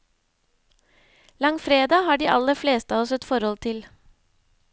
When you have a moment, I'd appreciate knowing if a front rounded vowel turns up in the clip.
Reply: no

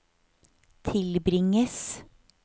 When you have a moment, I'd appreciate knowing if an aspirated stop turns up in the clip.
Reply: yes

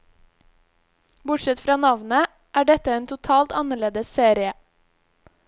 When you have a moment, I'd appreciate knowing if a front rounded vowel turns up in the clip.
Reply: no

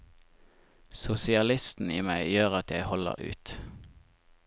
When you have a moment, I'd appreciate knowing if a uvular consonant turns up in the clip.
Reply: yes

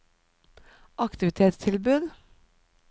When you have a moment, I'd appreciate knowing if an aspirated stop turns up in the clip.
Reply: yes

